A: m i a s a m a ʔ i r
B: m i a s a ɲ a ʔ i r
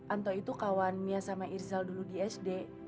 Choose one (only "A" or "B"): A